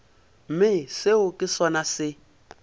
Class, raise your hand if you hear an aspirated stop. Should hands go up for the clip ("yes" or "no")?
no